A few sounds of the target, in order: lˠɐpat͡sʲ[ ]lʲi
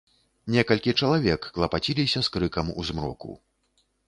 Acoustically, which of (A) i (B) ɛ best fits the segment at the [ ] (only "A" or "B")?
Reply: A